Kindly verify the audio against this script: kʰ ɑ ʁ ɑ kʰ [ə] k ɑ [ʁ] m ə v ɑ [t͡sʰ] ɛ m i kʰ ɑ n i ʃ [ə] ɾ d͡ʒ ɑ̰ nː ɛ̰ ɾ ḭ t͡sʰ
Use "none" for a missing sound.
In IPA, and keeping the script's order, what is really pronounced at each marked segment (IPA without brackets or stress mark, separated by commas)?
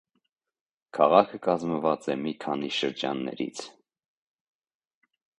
ə, z, t͡s, ə